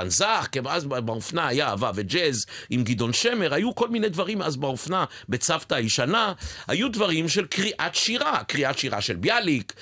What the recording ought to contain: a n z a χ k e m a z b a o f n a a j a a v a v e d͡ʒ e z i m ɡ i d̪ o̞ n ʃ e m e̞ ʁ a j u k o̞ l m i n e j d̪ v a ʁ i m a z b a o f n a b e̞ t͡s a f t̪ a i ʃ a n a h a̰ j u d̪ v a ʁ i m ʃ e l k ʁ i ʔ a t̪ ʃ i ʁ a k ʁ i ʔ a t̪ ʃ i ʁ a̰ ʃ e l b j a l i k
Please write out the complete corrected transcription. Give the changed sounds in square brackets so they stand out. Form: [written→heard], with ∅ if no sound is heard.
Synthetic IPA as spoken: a n z a χ k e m a z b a o f n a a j a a v a v e d͡ʒ e z i m ɡ i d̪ o̞ n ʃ e m e̞ ʁ a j u k o̞ l m i n e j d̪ v a ʁ i m a z b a o f n a b e̞ t͡s a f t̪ a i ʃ a n a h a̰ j u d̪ v a ʁ i m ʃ e l k ʁ i ʔ a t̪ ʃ i ʁ a k ʁ i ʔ a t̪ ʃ i ʁ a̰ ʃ e l b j a l i k